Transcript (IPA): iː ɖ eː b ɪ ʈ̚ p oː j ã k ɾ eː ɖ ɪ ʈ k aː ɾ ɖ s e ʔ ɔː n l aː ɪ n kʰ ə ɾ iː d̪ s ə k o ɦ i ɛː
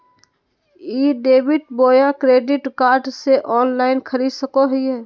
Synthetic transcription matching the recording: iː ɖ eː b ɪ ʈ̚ b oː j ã k ɾ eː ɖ ɪ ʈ k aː ɾ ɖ s e ʔ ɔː n l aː ɪ n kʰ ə ɾ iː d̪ s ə k o ɦ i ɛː